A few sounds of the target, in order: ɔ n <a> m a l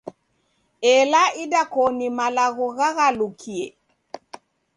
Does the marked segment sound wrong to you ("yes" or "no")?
yes